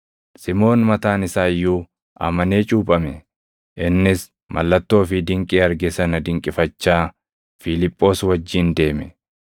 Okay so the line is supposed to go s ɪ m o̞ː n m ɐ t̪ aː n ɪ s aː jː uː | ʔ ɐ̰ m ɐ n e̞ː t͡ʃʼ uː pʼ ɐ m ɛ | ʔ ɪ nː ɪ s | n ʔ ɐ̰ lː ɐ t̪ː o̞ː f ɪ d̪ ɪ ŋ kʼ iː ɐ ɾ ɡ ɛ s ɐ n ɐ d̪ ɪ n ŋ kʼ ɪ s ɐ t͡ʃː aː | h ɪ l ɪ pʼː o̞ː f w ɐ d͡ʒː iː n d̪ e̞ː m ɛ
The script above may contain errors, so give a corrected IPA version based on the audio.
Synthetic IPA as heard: s ɪ m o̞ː n m ɐ t̪ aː n ɪ s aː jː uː | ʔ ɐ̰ m ɐ n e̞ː t͡ʃʼ uː pʼ ɐ m ɛ | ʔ ɪ nː ɪ s | m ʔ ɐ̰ lː ɐ t̪ː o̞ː f ɪ d̪ ɪ ŋ kʼ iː ɐ ɾ ɡ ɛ s ɐ n ɐ d̪ ɪ ŋ kʼ ɪ f ɐ t͡ʃː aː | f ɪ l ɪ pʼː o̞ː s w ɐ d͡ʒː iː n d̪ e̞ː m ɛ